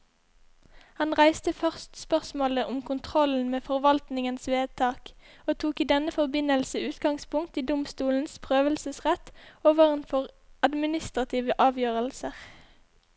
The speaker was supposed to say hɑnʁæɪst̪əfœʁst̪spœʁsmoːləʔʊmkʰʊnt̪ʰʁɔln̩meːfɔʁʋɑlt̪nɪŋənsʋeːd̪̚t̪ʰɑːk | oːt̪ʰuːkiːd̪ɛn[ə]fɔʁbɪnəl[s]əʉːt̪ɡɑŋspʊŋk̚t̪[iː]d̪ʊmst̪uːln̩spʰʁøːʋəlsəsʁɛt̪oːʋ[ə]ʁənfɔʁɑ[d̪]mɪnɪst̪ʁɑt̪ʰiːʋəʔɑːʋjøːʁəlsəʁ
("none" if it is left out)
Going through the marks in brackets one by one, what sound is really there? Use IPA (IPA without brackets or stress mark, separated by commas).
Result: ə, s, iː, ə, d̪